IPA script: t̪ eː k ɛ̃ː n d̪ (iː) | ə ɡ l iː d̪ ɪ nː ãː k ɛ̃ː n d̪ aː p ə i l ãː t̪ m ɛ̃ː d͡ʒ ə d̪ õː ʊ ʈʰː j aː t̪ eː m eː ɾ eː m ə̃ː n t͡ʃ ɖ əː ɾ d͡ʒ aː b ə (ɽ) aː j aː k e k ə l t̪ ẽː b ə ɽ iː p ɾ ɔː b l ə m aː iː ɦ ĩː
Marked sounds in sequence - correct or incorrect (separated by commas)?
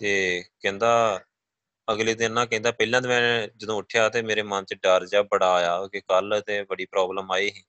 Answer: incorrect, correct